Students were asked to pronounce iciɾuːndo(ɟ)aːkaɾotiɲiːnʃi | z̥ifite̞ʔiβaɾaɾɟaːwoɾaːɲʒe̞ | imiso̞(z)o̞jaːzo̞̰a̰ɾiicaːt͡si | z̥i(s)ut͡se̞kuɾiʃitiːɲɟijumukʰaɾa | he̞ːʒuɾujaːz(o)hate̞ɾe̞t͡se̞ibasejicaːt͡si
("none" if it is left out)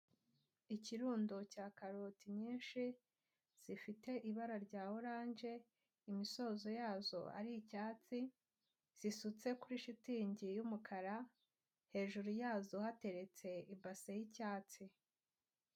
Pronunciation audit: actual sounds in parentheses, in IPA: c, z, s, o

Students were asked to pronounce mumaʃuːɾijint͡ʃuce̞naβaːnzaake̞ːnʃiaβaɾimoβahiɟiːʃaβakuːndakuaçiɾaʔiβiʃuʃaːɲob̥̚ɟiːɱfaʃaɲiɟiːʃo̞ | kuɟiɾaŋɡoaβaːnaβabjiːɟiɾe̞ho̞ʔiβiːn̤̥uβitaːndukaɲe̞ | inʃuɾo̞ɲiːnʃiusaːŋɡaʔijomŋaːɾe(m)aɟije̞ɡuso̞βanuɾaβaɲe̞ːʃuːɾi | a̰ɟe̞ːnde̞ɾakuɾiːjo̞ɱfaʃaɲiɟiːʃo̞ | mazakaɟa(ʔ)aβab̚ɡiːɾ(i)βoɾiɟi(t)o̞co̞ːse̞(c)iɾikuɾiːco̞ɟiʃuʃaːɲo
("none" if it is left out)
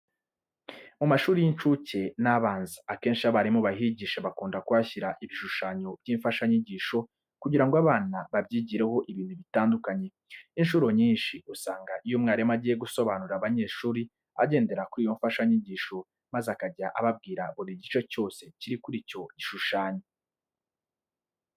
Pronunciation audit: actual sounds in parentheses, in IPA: m, ʔ, a, t͡ʃ, c

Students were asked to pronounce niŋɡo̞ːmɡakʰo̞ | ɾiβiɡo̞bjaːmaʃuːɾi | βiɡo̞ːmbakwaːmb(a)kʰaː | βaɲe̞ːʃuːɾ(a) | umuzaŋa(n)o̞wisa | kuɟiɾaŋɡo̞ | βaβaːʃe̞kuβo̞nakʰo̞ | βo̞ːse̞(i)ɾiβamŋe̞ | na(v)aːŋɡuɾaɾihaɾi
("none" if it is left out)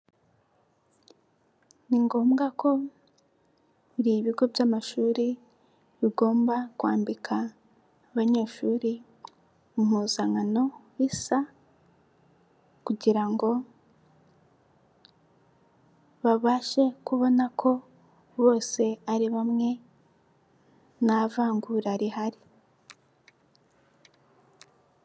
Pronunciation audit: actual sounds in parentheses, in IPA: i, i, n, a, v

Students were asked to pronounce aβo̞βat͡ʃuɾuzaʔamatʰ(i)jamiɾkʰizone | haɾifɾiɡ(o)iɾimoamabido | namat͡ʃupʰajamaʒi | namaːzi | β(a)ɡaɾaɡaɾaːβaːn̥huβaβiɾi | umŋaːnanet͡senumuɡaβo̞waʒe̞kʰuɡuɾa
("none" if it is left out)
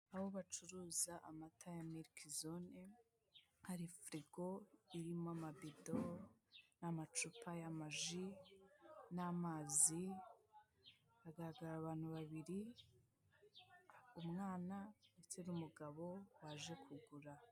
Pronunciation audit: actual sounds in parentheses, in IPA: a, o, a

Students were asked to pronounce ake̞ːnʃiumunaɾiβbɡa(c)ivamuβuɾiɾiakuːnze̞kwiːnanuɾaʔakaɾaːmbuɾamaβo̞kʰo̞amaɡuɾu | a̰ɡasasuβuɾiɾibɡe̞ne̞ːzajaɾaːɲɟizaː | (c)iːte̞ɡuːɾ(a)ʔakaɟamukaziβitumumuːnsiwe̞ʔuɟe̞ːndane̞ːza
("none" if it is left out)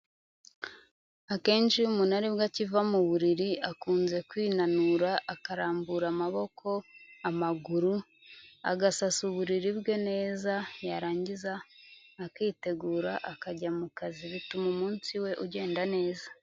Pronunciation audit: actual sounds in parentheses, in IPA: c, k, a

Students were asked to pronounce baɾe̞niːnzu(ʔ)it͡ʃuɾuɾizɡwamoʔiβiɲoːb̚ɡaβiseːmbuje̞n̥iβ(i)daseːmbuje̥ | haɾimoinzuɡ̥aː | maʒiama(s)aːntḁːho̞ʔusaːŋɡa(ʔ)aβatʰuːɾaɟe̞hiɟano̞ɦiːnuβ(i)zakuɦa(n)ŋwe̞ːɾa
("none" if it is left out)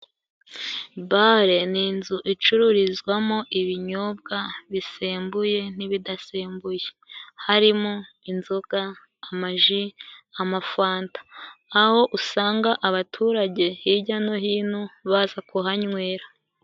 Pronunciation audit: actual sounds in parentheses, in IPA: ʔ, i, f, ʔ, a, ɲ

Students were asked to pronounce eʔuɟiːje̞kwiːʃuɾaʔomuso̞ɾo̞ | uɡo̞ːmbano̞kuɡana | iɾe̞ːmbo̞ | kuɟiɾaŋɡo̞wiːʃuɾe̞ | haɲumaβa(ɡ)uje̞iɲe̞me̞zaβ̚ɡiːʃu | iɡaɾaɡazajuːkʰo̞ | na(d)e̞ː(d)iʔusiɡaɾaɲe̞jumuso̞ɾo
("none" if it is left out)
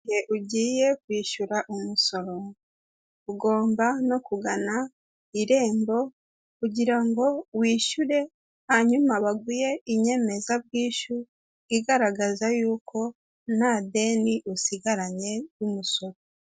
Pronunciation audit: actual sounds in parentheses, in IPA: ɡ, d, n

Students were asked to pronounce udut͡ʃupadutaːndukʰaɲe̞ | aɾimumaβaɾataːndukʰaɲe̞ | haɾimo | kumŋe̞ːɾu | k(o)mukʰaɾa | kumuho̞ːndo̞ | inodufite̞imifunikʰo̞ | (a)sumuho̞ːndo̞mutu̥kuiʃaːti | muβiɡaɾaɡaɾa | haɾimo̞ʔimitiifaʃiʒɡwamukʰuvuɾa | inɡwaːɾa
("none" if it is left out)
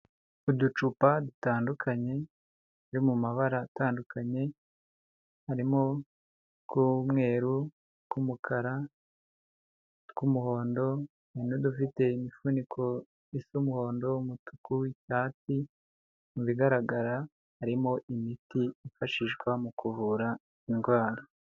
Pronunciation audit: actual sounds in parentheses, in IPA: u, i

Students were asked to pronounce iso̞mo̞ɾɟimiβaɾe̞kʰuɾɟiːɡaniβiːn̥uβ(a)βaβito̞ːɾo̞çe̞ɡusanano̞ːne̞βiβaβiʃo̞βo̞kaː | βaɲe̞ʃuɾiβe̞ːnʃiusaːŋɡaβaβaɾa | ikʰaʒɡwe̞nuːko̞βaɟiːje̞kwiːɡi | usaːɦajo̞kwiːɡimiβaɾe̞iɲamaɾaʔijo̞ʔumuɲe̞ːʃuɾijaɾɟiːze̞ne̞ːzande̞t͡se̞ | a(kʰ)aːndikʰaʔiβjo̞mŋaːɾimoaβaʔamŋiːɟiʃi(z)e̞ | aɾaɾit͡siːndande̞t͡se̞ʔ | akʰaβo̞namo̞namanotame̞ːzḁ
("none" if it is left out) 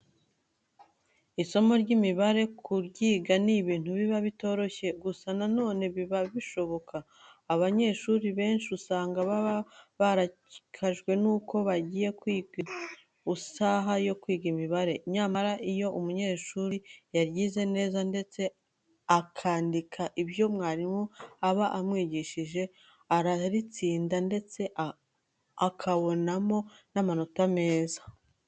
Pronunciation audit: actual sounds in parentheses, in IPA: i, kʰ, ʒ

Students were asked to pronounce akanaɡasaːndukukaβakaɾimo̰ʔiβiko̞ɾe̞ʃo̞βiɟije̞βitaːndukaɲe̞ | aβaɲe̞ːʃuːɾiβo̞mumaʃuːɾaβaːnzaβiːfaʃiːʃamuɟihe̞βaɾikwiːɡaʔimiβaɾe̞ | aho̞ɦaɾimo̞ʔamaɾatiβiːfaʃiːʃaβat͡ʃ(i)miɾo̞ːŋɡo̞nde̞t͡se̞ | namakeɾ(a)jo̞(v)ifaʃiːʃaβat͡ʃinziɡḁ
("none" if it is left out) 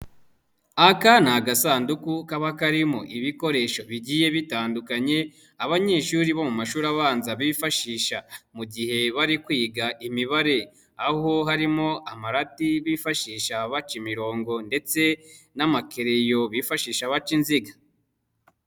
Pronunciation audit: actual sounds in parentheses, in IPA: i, e, β

